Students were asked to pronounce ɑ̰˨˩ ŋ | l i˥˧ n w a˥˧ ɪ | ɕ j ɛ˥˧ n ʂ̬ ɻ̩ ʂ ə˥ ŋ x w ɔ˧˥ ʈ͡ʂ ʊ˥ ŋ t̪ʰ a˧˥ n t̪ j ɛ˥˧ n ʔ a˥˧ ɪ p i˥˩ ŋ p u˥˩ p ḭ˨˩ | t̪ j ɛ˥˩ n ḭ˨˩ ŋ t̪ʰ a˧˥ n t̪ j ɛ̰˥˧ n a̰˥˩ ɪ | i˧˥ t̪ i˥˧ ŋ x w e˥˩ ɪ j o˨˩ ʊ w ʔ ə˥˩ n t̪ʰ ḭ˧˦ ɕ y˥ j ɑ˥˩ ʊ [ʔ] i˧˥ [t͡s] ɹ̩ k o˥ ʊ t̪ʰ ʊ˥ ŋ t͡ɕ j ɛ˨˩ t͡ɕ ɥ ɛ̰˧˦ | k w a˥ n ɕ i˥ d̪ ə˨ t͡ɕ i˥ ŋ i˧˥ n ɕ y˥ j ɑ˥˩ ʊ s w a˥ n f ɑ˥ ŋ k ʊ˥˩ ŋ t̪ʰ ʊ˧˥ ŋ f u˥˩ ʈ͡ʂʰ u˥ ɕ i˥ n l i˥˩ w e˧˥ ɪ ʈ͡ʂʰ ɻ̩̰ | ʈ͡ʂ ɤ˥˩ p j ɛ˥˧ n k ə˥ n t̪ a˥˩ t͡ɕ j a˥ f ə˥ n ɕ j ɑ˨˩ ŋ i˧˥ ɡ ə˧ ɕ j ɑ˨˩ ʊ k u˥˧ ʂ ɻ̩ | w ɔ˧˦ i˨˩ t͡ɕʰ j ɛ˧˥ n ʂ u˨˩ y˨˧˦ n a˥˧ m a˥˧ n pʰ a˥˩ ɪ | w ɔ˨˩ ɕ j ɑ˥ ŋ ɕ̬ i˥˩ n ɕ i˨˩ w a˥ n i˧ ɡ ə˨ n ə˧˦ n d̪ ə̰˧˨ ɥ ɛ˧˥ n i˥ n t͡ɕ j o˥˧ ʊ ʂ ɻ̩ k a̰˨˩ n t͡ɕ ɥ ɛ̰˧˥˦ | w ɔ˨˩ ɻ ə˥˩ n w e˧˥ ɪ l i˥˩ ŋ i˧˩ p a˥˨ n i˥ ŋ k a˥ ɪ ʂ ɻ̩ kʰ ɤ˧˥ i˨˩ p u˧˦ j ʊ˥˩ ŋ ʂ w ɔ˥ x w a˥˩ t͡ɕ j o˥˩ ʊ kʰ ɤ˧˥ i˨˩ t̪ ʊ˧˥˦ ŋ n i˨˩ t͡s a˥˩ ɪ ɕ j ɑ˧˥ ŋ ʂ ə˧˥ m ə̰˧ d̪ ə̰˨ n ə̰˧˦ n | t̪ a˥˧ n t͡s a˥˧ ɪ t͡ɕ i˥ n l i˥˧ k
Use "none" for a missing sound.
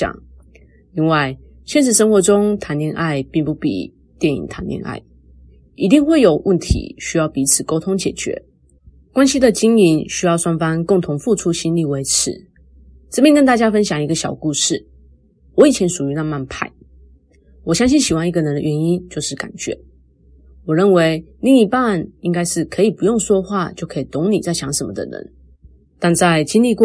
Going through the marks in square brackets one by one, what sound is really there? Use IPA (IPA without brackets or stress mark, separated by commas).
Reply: p, t͡sʰ